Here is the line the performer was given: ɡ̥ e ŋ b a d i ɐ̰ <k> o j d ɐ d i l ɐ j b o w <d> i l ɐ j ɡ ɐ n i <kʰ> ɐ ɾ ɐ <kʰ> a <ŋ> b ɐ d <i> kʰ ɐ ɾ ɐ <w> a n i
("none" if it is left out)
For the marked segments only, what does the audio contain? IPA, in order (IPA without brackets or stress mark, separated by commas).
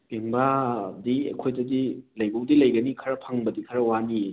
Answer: kʰ, d, kʰ, pʰ, ŋ, i, w